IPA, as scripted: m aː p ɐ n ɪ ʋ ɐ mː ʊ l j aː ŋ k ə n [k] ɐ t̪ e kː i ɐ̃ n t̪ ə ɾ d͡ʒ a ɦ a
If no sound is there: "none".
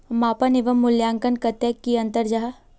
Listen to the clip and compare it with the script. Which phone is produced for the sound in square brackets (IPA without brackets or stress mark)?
k